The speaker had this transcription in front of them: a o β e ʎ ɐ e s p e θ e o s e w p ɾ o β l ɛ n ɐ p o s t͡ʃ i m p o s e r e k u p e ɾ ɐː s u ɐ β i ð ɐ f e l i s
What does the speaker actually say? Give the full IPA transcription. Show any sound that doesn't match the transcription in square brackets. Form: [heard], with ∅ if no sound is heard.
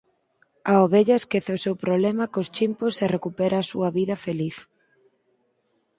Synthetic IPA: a o β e ʎ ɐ e s [k] e θ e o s e w p ɾ o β l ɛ [m] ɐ [k] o s t͡ʃ i m p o s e r e k u p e ɾ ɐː s u ɐ β i ð ɐ f e l i [θ]

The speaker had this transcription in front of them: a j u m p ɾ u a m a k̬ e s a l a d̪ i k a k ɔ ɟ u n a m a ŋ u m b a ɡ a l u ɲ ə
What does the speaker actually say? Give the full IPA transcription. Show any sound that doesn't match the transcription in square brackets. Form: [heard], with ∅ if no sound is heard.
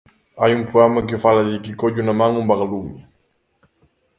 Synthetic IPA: a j u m p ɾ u a m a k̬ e [f] a l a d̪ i k [i] k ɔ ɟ u n a m a ŋ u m b a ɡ a l u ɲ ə

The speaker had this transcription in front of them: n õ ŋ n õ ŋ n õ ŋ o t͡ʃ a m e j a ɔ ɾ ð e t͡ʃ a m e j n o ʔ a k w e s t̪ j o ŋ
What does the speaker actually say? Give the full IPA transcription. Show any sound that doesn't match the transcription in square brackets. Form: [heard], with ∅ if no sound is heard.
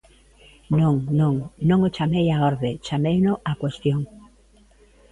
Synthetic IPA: n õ ŋ n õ ŋ n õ ŋ o t͡ʃ a m e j a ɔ ɾ ð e t͡ʃ a m e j n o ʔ a k w e s t̪ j o ŋ

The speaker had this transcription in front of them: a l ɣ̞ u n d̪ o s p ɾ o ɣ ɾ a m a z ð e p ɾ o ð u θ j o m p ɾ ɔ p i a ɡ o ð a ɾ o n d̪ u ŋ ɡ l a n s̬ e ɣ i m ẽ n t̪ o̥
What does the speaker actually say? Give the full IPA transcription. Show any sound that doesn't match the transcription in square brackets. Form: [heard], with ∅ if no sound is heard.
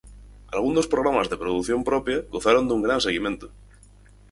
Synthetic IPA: a l ɣ̞ u n d̪ o s p ɾ o ɣ ɾ a m a z ð e p ɾ o ð u θ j o m p ɾ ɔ p [j] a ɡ o [θ] a ɾ o n d̪ u ŋ ɡ [ɾ] a n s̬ e ɣ i m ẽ n t̪ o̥

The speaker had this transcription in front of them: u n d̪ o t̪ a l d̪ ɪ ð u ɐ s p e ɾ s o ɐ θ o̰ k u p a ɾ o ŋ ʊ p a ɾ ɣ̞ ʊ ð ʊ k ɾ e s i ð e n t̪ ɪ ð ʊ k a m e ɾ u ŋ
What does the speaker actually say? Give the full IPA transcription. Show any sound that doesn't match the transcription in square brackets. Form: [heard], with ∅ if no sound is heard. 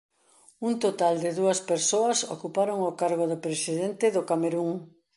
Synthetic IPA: u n [t̪] o t̪ a l d̪ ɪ ð u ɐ s p e ɾ s o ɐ [s] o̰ k u p a ɾ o ŋ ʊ [k] a ɾ ɣ̞ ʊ ð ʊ [p] ɾ e s i ð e n t̪ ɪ ð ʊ k a m e ɾ u ŋ

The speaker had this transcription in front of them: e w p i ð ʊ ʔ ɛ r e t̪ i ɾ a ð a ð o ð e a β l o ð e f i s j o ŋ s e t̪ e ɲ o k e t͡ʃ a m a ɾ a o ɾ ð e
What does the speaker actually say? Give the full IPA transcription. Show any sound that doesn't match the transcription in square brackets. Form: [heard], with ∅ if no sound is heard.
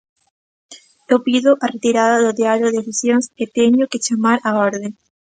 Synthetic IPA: e w p i ð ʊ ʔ [a] r e t̪ i ɾ a ð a ð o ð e a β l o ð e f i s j o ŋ s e t̪ e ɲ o k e t͡ʃ a m a ɾ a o ɾ ð e

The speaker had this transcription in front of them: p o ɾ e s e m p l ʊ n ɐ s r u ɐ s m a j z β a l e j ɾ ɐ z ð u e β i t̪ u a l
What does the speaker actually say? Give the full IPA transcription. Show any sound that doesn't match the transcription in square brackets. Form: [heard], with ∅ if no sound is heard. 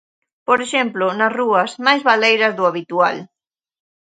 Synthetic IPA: p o ɾ e [ʃ] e m p l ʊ n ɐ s r u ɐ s m a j z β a l e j ɾ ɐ z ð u [a] β i t̪ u a l

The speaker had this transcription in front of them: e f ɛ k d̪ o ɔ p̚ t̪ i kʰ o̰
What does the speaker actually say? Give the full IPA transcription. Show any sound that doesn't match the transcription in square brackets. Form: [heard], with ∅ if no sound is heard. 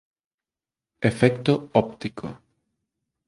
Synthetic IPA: e f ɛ k [t̪] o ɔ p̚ t̪ i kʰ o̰

